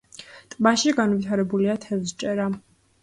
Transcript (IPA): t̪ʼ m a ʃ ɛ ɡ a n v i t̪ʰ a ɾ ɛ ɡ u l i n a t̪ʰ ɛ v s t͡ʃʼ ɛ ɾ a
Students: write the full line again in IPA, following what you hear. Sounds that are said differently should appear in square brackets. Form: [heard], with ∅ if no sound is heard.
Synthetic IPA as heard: t̪ʼ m a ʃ [i] ɡ a n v i t̪ʰ a ɾ ɛ [b] u l i [∅] a t̪ʰ ɛ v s t͡ʃʼ ɛ ɾ a